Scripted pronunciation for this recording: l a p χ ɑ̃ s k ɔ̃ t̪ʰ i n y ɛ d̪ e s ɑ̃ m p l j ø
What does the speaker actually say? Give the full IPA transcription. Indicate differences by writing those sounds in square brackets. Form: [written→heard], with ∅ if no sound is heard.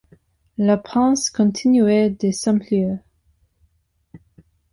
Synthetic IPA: l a p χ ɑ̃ s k ɔ̃ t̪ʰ i n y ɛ d̪ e s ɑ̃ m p l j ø